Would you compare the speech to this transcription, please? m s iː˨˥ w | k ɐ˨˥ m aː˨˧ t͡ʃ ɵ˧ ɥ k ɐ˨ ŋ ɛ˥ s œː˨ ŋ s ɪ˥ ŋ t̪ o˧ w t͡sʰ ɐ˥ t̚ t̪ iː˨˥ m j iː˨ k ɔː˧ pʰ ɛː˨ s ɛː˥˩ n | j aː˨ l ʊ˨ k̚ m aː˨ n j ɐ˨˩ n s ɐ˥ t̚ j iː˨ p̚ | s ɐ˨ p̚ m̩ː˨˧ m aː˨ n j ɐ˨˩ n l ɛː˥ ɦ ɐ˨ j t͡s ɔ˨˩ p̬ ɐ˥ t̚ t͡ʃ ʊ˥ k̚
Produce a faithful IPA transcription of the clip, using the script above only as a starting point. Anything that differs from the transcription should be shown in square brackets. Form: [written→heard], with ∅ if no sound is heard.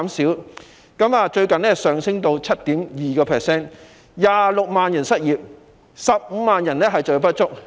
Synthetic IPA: m s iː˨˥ w | k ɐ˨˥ m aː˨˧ t͡ʃ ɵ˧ ɥ k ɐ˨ [ŋ→n] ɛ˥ s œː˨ ŋ s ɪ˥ ŋ t̪ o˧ w t͡sʰ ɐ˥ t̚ t̪ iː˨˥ m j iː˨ k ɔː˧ pʰ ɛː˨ s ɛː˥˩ n | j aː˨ l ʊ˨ k̚ m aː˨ n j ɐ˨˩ n s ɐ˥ t̚ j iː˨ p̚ | s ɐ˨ p̚ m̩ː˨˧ m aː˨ n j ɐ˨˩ n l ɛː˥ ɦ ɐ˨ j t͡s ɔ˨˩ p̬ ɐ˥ t̚ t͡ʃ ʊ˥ k̚